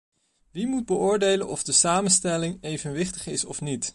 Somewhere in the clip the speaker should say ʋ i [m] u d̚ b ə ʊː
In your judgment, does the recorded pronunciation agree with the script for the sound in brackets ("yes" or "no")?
yes